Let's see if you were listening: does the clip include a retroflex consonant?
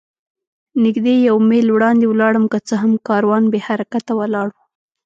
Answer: yes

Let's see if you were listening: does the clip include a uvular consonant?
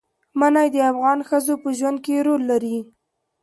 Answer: no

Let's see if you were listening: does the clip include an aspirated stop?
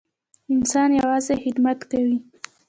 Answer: no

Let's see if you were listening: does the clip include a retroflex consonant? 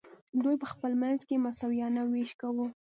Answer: no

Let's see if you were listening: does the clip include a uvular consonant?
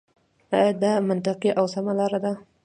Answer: yes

